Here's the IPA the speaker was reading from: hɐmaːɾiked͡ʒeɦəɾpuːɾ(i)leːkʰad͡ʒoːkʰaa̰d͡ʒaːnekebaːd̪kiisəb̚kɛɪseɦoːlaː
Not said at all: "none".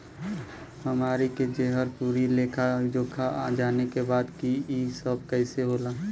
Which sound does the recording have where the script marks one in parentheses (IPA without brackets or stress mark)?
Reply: i